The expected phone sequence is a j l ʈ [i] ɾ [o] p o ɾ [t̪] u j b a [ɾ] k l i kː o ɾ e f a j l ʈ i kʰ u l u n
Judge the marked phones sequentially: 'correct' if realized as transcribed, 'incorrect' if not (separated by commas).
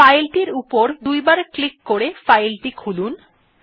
correct, incorrect, incorrect, correct